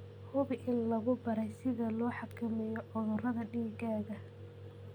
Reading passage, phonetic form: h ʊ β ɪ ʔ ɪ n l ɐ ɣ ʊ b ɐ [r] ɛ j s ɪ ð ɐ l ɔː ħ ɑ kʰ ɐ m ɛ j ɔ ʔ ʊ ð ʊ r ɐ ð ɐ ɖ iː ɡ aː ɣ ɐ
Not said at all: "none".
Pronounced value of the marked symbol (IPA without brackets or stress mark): ɾ